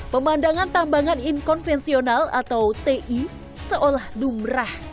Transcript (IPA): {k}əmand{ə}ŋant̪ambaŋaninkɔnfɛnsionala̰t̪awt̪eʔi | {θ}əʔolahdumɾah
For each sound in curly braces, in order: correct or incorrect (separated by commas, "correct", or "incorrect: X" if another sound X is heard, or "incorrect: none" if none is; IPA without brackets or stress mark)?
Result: incorrect: p, incorrect: a, incorrect: s